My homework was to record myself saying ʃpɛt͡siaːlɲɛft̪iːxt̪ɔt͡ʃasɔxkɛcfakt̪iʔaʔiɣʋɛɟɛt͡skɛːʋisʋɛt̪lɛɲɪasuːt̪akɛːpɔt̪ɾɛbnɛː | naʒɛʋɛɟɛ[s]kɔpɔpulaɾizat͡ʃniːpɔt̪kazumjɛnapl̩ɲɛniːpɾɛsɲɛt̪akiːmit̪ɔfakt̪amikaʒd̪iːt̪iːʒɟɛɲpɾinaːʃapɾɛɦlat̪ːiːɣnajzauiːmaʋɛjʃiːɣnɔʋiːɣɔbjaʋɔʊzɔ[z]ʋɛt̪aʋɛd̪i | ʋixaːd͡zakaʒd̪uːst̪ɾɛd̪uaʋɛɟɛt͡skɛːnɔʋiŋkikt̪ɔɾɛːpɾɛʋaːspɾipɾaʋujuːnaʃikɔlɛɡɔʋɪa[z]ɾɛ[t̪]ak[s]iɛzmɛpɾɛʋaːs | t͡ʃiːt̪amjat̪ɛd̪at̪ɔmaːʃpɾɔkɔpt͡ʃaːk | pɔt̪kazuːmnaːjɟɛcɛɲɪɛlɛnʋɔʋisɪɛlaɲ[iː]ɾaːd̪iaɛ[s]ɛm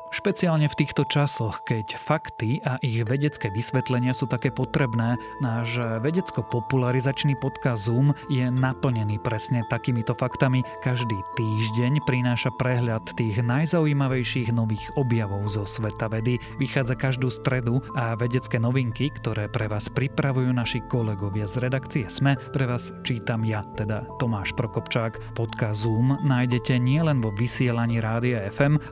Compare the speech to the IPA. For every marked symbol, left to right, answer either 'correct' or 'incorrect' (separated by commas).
incorrect, incorrect, correct, incorrect, incorrect, correct, incorrect